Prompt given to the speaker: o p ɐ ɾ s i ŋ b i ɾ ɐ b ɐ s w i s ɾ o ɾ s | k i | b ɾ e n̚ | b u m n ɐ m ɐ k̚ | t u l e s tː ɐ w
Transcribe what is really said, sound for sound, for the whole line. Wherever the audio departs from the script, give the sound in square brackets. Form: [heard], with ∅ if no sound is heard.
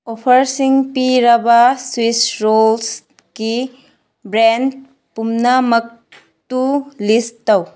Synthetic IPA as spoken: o [pʰ] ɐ ɾ s i ŋ [p] i ɾ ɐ b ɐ s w i s ɾ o [l] s | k i | b ɾ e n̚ | [p] u m n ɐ m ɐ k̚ | t u l [i] s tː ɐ w